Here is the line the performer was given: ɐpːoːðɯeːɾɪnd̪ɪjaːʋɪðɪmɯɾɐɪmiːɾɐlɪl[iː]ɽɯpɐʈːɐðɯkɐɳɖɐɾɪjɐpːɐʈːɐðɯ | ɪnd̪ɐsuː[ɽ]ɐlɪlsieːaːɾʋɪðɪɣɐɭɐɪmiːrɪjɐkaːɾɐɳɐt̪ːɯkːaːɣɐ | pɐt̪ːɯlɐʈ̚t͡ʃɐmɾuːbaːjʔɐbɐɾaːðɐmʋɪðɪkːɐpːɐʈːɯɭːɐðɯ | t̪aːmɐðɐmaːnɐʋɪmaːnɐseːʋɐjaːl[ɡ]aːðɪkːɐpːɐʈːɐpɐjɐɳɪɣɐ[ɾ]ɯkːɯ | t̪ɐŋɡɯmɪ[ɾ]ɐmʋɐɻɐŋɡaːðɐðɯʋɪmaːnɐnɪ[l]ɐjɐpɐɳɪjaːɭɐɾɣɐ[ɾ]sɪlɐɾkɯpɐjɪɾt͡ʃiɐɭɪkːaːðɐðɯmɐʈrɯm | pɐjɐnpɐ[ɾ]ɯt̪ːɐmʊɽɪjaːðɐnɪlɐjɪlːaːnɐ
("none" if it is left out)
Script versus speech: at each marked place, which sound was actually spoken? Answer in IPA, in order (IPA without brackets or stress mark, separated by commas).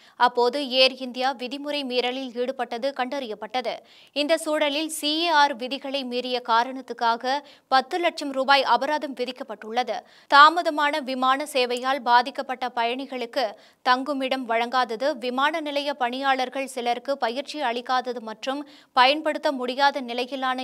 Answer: iː, ɽ, b, ɭ, ɽ, l, ɭ, ɽ